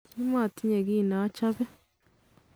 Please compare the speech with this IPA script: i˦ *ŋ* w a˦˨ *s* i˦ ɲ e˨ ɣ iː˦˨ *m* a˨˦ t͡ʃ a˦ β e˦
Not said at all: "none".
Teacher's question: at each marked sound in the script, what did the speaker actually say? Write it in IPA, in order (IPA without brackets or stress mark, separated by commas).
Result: m, t, n